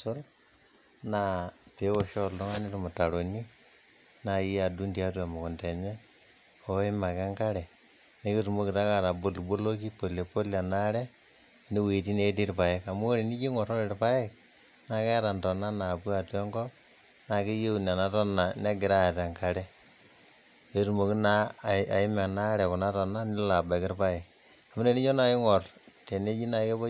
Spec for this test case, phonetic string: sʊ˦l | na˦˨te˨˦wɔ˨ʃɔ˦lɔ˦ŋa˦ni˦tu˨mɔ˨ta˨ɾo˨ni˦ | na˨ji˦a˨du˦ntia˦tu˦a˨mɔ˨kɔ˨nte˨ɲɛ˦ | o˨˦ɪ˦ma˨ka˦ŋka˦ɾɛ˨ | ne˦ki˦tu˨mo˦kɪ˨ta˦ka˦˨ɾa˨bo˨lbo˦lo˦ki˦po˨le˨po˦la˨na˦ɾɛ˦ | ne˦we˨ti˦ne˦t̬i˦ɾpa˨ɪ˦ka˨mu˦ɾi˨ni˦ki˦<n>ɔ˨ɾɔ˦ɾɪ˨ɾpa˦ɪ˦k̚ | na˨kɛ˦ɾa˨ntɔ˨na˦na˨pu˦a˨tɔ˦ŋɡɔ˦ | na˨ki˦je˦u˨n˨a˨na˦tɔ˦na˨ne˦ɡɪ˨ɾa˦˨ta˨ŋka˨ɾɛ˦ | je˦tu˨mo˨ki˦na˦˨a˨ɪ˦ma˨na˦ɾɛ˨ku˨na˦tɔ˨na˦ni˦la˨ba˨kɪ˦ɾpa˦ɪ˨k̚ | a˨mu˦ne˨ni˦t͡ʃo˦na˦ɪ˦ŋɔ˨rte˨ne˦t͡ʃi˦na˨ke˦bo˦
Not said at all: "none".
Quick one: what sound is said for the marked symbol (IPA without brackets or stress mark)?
ŋ